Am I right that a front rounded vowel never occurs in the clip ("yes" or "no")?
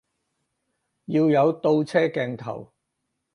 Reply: yes